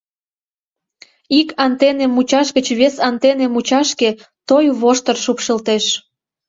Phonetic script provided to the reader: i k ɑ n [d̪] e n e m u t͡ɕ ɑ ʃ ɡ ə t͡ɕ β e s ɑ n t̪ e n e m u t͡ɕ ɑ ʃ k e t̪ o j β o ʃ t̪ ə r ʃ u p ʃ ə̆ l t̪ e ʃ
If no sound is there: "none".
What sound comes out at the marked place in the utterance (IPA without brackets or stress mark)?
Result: t̪